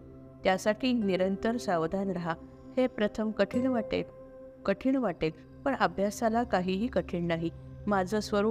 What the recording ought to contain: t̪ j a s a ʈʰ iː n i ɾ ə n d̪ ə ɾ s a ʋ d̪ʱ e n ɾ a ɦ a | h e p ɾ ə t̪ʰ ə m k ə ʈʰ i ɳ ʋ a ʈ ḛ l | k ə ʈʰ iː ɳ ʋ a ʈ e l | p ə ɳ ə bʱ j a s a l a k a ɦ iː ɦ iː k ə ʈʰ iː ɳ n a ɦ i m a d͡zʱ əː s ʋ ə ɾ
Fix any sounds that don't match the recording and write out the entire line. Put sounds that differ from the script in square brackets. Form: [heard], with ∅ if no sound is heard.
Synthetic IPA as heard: t̪ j a s a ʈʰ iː n i ɾ ə n [t̪] ə ɾ s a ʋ d̪ʱ [a] n ɾ a ɦ a | h e p ɾ ə t̪ʰ ə m k ə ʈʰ i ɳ ʋ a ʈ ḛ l | k ə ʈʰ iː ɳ ʋ a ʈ e l | p ə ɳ ə bʱ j a s a l a k a ɦ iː ɦ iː k ə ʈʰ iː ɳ n a ɦ i m a d͡zʱ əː s ʋ ə ɾ